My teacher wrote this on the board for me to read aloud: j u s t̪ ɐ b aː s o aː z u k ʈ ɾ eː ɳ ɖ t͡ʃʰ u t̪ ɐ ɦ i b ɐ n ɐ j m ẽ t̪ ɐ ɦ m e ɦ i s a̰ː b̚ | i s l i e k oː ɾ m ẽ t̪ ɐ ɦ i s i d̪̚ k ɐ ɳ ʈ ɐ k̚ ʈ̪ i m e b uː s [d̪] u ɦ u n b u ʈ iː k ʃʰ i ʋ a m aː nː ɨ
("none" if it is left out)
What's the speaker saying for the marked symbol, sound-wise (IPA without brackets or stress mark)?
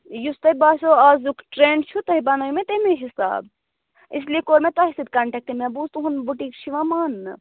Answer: t̪